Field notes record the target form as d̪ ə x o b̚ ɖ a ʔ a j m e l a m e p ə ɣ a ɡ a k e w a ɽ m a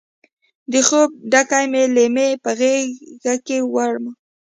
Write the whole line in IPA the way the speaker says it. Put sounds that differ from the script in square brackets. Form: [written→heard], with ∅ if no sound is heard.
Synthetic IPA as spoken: d̪ ə x o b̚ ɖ a [ʔ→k] a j m e l [a→e] m e p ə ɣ [a→e] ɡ a k e w a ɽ m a